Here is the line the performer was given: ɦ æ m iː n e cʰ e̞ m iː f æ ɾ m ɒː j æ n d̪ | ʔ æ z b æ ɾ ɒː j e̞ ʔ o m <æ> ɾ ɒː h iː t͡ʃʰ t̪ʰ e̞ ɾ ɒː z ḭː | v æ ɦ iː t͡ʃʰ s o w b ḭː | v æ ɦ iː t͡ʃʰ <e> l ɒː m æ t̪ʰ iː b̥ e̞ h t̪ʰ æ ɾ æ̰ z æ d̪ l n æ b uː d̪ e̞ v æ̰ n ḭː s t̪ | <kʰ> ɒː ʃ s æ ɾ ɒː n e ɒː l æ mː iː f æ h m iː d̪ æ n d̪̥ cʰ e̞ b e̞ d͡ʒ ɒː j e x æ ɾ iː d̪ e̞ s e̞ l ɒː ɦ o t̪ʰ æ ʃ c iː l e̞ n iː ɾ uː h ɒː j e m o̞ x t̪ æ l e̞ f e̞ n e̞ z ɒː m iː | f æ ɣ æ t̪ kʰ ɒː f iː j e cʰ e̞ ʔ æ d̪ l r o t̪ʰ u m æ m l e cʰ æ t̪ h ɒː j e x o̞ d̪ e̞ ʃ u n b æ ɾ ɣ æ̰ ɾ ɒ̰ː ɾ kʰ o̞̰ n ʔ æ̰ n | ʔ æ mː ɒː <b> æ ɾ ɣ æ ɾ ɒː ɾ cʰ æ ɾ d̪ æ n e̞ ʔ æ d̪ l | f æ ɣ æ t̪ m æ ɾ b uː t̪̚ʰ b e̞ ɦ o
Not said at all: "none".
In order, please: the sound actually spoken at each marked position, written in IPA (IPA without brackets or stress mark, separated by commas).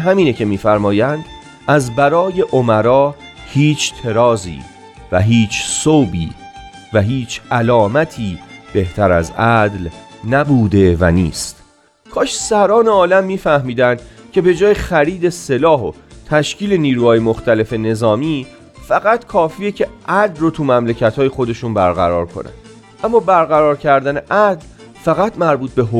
æ, æ, kʰ, b